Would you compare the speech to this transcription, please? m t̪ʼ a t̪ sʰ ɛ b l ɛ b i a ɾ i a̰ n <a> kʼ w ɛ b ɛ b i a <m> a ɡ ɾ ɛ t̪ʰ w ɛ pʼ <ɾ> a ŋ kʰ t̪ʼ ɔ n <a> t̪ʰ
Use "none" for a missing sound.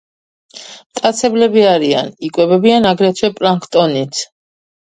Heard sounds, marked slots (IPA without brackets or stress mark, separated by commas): i, n, ɾ, i